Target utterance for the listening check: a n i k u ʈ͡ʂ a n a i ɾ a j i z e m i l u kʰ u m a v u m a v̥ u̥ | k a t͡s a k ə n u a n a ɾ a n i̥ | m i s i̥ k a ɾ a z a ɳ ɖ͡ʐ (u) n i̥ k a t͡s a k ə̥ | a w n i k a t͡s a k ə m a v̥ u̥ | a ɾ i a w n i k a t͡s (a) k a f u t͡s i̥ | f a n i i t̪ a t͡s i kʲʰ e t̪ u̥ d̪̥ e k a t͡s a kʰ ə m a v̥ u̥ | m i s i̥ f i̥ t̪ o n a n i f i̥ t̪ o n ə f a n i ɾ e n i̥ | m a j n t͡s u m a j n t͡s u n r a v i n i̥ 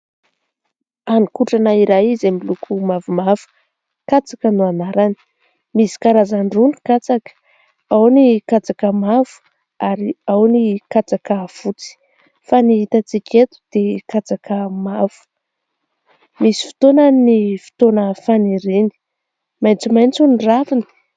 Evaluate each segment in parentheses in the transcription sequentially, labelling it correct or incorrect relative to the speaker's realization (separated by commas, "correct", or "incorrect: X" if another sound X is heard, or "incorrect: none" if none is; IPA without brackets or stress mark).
correct, correct